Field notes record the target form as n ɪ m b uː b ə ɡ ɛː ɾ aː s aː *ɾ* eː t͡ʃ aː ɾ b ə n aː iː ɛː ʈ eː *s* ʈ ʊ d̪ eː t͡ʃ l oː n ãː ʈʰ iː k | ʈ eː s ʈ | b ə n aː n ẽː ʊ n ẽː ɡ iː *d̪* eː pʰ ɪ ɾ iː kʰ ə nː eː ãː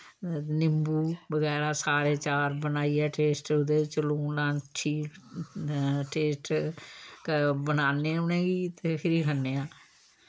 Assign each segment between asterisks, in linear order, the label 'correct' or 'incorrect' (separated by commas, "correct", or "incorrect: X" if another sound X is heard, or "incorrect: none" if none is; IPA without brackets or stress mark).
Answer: correct, correct, incorrect: t̪